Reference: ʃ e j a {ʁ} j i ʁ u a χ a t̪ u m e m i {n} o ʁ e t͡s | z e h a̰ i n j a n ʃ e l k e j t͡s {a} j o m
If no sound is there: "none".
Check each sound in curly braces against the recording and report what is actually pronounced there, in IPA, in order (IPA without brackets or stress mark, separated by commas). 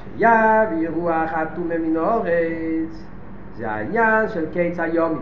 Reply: v, n, a